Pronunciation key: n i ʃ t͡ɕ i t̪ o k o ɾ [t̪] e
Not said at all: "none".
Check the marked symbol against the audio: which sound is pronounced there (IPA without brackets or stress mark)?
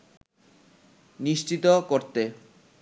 t̪